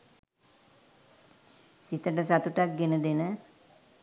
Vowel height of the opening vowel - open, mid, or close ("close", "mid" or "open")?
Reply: close